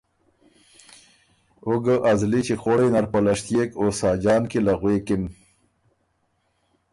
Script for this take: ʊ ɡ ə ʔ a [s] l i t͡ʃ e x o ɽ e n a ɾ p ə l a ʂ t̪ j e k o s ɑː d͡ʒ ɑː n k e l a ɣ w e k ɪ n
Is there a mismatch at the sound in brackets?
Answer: yes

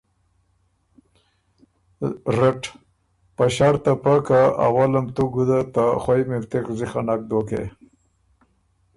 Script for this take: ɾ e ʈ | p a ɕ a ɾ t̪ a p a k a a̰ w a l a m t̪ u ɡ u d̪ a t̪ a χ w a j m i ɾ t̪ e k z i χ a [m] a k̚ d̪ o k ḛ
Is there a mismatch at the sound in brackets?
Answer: yes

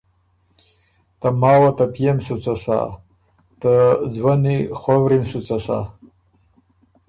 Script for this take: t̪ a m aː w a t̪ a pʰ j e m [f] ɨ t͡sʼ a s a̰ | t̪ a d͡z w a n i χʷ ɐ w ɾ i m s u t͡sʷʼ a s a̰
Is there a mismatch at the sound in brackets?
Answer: yes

